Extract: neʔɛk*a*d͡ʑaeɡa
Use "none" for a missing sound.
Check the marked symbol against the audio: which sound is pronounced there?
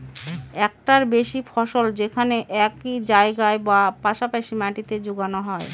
i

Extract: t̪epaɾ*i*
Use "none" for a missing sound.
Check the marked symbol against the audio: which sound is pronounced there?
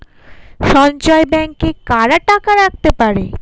e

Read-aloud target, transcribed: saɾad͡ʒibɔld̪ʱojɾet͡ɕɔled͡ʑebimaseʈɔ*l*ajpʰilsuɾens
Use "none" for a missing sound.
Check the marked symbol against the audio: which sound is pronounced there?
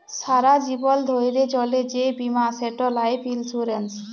l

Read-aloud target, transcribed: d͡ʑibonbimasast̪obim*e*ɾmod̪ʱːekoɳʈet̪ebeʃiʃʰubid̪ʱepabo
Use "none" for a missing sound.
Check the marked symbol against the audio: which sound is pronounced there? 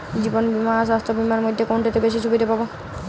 a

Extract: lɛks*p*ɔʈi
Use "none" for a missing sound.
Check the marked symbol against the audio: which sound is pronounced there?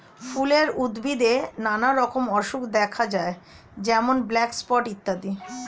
p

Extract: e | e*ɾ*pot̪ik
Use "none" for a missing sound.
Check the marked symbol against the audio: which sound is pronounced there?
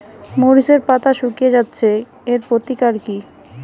ɾ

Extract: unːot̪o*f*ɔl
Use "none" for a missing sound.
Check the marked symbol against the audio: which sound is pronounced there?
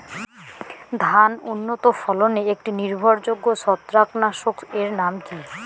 f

